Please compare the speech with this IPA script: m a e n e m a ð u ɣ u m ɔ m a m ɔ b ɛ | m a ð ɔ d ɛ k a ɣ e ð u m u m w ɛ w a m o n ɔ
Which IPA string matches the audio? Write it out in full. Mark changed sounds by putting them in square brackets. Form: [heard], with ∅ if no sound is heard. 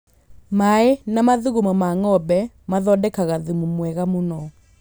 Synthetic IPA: m a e n [a] m a ð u ɣ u m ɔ m a [ŋ] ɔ b ɛ | m a ð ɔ d ɛ k a ɣ [a] ð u m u m w ɛ [ɣ] a m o n ɔ